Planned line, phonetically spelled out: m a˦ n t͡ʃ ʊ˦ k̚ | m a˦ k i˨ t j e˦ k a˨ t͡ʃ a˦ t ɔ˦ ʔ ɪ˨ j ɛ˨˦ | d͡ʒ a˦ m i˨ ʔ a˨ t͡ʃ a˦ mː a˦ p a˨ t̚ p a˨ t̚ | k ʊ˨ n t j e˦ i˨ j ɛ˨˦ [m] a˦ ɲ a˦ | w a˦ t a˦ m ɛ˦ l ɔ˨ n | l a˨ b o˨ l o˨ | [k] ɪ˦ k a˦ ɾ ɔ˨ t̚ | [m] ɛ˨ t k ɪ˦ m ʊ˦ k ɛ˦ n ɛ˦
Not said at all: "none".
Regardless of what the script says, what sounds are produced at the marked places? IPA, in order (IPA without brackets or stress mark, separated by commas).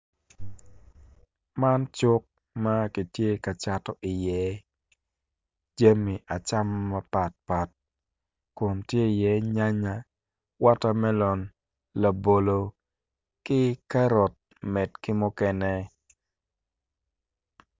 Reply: ɲ, k, m